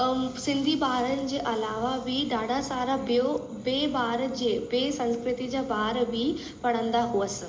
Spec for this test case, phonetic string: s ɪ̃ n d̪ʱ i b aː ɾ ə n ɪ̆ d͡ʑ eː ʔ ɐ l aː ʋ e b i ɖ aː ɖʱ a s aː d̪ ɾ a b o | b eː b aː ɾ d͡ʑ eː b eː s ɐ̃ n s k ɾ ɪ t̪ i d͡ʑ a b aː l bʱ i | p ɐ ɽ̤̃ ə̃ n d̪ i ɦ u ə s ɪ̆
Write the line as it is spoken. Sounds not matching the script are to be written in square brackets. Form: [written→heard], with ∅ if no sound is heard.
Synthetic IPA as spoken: s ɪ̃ n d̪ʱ i b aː ɾ ə n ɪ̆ d͡ʑ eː ʔ ɐ l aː ʋ [e→a] b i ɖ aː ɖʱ a s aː [d̪→∅] ɾ a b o | b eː b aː ɾ d͡ʑ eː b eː s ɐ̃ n s k ɾ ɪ t̪ i d͡ʑ a b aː [l→ɾ] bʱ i | p ɐ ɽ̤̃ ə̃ n d̪ [i→a] ɦ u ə s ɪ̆